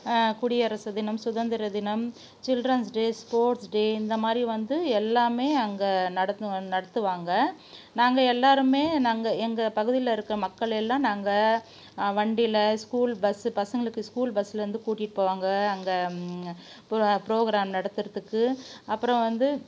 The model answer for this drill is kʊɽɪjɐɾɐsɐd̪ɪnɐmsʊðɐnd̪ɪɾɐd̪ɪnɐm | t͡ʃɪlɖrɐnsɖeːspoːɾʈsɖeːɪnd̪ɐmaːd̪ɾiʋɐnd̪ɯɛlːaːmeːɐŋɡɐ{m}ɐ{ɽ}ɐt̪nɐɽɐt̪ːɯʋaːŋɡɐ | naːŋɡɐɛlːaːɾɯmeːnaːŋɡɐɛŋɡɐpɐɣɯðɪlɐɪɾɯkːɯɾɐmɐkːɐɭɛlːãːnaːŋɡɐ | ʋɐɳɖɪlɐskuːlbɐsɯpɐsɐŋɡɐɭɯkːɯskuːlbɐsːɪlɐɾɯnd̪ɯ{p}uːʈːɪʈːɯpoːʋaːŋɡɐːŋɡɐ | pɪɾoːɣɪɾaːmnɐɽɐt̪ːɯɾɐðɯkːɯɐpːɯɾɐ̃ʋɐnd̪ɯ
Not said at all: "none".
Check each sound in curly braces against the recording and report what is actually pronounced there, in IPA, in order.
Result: n, ɽ, k

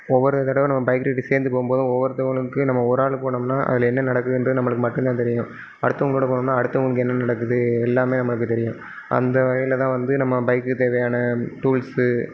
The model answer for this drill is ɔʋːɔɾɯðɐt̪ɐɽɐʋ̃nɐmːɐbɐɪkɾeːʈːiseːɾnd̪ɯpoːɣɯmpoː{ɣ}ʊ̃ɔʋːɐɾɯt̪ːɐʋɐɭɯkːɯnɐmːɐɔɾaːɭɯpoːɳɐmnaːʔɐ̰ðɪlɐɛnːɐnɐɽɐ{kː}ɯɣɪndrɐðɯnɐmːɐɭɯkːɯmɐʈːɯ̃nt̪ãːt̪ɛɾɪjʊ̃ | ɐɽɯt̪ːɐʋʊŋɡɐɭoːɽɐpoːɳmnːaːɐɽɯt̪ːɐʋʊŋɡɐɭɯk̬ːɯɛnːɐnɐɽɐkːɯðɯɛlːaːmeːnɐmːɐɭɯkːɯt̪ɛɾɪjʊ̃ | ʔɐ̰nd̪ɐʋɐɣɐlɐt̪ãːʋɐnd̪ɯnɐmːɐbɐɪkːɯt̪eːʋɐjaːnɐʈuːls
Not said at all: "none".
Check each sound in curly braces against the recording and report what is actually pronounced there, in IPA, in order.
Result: ð, kː

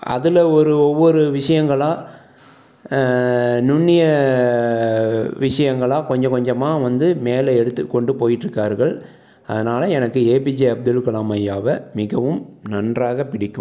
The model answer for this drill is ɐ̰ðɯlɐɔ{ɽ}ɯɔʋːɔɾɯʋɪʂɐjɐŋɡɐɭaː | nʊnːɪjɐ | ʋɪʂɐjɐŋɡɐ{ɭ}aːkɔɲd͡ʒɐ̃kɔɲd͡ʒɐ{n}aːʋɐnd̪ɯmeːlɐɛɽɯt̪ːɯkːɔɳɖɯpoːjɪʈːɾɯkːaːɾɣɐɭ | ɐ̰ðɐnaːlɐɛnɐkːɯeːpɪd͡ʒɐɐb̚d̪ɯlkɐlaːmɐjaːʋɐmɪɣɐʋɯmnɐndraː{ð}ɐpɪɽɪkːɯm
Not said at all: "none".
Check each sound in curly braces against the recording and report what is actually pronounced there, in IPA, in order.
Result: ɾ, ɭ, m, ɣ

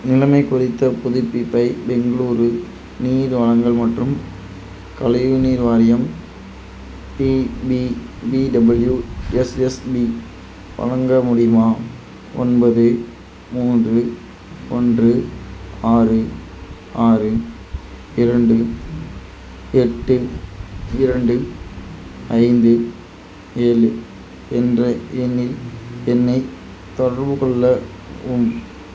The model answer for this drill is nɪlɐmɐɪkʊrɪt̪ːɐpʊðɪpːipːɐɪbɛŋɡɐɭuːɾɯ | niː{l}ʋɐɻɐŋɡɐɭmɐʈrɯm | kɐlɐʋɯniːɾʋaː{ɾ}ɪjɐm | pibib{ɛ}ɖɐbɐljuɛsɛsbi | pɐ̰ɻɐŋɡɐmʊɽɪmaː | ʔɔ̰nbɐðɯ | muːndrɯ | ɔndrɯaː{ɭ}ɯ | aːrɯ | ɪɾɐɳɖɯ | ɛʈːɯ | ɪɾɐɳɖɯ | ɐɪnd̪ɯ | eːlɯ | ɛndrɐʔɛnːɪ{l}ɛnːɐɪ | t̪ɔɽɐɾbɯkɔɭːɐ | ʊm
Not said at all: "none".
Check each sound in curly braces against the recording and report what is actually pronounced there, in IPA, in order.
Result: ɾ, ɾ, i, r, l

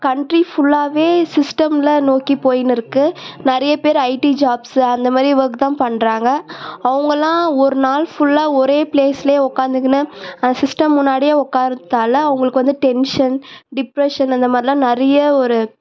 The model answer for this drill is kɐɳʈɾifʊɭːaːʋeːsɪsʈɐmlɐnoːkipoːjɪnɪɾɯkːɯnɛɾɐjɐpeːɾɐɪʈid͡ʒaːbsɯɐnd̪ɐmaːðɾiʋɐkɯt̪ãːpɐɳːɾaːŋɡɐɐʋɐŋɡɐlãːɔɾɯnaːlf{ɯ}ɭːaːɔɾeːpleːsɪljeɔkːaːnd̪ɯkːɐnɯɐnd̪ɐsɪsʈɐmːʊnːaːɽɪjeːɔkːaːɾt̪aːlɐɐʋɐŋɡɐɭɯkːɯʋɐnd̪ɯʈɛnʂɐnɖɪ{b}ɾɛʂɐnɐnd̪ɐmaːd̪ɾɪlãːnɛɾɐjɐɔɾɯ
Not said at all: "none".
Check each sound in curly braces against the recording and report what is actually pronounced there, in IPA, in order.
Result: ʊ, p

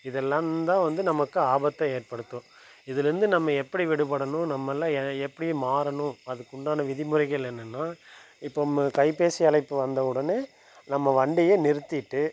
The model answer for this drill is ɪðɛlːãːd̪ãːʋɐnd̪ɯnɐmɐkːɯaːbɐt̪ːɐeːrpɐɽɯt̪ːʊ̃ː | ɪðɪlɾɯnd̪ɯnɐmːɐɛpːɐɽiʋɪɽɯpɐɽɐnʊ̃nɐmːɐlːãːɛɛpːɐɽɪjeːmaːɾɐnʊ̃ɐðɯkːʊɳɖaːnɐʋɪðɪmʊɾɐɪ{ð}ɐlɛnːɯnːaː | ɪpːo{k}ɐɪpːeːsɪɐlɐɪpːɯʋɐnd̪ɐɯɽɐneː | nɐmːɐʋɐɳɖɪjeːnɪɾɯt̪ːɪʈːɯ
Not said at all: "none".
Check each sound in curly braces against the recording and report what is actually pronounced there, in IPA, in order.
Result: ɣ, k

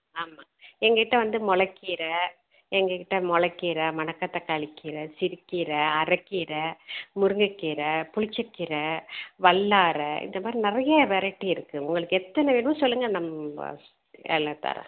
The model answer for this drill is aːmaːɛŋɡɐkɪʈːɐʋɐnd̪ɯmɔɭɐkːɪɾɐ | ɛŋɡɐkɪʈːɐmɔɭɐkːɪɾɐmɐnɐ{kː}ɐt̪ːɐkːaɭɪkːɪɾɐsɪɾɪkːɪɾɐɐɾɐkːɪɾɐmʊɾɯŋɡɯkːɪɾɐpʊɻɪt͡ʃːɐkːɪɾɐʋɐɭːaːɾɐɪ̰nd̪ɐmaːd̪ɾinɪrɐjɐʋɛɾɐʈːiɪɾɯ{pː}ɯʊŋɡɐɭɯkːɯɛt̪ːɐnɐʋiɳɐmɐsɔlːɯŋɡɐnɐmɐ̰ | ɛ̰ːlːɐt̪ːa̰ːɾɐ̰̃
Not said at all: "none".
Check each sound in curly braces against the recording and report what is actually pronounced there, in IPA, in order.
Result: kː, kː

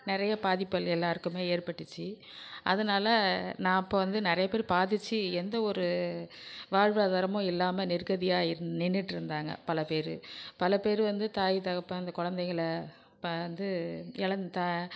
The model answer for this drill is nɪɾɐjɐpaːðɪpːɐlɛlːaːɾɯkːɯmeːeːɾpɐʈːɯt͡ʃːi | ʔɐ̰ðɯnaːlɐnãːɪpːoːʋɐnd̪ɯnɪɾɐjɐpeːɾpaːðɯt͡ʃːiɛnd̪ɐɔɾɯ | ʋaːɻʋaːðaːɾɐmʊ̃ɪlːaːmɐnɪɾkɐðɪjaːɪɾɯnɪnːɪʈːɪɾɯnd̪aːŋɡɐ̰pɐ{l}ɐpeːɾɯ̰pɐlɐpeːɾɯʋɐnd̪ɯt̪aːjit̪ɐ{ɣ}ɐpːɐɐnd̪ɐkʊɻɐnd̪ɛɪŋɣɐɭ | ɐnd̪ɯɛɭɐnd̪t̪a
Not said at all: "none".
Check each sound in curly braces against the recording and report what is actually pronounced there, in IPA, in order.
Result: l, ɣ

